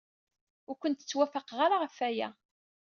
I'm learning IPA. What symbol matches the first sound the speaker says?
ʊ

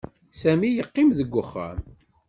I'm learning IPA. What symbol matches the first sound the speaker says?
s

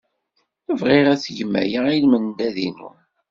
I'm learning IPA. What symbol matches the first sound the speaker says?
ə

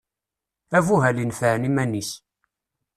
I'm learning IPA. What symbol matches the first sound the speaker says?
æ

